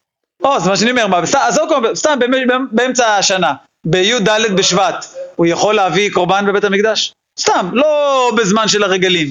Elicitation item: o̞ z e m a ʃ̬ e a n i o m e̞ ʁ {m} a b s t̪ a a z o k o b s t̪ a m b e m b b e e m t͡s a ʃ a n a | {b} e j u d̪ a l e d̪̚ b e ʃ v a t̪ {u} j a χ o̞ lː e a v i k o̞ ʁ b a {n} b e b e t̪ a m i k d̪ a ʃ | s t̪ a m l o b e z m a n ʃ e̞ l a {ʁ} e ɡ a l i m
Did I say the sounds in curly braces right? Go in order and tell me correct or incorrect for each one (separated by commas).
correct, correct, correct, correct, correct